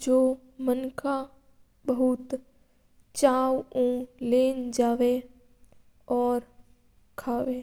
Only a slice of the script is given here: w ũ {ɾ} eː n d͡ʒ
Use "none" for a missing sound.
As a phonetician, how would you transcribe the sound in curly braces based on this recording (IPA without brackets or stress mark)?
l